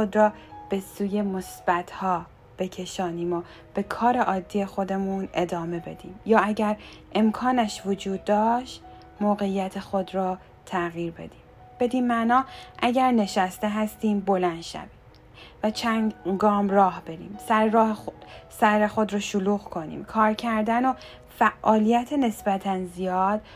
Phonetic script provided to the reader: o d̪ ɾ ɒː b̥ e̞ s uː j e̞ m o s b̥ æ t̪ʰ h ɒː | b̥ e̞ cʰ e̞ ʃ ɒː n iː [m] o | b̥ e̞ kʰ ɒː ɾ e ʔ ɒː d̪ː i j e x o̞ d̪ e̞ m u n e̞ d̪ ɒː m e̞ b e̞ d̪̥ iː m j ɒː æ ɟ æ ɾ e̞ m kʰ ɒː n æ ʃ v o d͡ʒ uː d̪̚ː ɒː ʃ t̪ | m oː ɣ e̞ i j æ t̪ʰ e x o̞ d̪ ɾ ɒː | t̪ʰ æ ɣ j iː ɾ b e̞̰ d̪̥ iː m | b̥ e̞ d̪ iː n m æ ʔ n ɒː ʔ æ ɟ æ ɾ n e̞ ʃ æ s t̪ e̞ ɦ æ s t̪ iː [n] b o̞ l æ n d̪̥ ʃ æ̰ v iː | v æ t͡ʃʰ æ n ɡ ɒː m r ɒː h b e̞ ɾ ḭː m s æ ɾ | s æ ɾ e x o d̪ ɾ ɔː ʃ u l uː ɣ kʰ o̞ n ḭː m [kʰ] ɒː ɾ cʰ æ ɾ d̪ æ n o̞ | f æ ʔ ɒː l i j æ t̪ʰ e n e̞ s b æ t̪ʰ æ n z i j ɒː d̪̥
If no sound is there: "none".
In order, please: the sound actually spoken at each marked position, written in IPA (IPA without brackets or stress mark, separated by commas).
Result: m, m, kʰ